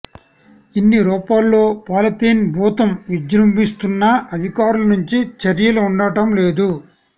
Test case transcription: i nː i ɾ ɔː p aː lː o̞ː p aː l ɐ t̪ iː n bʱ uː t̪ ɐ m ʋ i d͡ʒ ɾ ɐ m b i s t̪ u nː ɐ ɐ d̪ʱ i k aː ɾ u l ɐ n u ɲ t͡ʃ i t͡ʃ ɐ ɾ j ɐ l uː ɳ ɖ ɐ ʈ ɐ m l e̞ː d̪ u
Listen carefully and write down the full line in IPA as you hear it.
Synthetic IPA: i nː i ɾ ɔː p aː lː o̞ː p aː l ɐ t̪ iː n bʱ uː t̪ ɐ m ʋ i d͡ʒ ɾ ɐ m b i s t̪ u nː ɐ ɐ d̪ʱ i k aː ɾ u l ɐ n u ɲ t͡ʃ i t͡ʃ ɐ ɾ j ɐ l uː ɳ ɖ ɐ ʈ ɐ m l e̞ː d̪ u